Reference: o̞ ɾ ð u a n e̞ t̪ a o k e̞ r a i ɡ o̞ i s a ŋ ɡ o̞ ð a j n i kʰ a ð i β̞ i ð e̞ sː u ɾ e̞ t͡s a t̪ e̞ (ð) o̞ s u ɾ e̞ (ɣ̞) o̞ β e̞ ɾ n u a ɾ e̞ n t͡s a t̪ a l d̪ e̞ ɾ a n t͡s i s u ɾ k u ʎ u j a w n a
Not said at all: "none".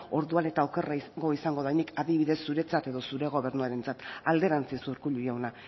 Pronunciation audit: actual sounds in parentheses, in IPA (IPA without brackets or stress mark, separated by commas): ð, ɣ̞